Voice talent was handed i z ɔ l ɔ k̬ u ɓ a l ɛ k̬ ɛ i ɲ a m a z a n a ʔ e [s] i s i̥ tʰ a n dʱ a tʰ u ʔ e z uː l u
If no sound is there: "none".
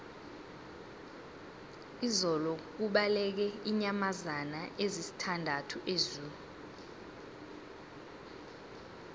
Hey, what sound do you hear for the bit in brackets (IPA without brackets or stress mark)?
z